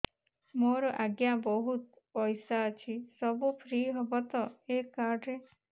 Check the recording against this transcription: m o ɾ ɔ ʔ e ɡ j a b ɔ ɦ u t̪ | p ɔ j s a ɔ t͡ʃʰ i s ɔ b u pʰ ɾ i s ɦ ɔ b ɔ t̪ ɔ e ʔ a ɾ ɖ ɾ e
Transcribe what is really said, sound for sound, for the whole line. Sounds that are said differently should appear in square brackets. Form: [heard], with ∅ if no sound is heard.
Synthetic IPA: m o ɾ ɔ ʔ [a] ɡ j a b ɔ ɦ u t̪ | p ɔ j s a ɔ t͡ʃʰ i s ɔ b u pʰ ɾ i [∅] ɦ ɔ b ɔ t̪ ɔ e [k] a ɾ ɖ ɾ e